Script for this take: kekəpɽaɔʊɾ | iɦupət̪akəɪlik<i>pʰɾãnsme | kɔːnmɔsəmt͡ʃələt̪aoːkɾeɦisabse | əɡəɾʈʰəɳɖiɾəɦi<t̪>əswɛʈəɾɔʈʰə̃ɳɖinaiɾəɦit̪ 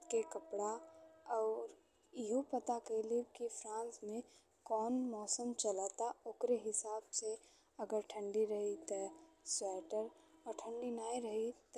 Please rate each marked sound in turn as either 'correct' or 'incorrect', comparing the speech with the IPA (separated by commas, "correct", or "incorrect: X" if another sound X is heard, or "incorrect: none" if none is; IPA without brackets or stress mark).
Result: correct, correct